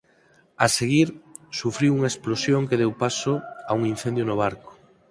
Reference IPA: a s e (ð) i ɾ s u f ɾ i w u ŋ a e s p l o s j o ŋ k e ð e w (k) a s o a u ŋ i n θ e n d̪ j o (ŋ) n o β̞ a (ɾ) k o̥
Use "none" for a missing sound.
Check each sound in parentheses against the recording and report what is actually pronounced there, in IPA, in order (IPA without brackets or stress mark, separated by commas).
ɣ, p, none, ɾ